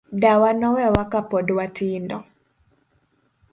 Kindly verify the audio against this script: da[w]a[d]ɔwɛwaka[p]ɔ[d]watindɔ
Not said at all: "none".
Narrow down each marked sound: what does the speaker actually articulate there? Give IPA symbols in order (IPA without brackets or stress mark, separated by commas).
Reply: w, n, p, d